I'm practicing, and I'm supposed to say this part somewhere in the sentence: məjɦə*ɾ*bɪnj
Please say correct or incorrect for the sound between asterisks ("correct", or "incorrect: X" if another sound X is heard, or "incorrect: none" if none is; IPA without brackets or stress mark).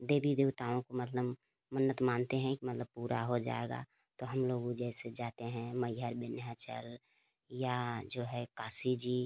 correct